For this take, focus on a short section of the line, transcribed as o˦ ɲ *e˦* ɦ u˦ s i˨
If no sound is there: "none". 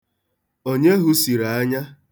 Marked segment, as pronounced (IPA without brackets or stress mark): e˦